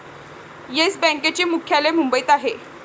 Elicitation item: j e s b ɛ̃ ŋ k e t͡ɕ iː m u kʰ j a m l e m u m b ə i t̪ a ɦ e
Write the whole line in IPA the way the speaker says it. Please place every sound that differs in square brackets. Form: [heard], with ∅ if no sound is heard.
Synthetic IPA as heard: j e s b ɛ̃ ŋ k e t͡ɕ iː m u kʰ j a [∅] l e m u m b ə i t̪ a ɦ e